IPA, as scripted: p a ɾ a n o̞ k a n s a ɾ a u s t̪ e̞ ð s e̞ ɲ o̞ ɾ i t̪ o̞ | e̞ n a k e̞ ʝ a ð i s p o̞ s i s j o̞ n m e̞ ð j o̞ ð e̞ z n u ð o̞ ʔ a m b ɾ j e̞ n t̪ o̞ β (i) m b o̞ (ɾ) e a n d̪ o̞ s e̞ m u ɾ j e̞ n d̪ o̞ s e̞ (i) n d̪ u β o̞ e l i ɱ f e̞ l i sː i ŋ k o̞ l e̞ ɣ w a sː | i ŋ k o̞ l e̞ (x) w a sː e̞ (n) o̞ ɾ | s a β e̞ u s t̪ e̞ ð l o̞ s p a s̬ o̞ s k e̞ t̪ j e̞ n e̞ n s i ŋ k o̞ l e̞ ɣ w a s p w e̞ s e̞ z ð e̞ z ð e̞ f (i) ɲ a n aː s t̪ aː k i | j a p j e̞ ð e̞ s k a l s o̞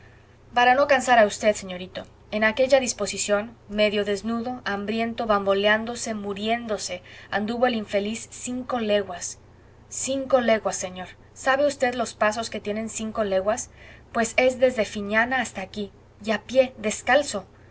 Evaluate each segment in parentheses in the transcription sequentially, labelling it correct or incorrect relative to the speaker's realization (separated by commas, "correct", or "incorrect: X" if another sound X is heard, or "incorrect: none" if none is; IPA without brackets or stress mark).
incorrect: a, incorrect: l, incorrect: a, incorrect: ɣ, incorrect: ɲ, correct